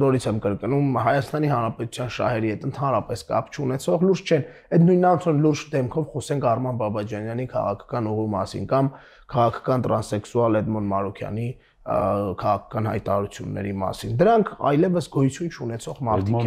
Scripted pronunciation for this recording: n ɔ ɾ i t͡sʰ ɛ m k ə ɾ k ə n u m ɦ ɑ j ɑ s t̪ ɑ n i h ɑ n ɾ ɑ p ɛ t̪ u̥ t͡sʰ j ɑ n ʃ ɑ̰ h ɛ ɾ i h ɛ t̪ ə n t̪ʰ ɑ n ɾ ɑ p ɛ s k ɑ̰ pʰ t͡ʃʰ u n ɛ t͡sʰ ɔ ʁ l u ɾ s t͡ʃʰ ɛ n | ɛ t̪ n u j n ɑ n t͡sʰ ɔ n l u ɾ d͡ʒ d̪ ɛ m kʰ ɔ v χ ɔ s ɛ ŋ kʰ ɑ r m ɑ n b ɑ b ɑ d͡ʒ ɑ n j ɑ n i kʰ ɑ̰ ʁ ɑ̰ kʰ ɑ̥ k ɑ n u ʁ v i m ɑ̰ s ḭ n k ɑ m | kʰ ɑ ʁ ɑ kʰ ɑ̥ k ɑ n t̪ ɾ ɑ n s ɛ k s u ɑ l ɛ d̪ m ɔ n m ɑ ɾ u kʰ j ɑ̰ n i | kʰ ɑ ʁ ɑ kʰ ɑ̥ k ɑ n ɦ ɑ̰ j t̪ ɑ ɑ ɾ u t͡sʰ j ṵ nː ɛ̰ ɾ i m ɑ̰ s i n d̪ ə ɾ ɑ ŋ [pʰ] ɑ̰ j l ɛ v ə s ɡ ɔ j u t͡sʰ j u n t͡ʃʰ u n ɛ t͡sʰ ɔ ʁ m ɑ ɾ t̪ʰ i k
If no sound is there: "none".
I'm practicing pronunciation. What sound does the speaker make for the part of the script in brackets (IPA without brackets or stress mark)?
kʰ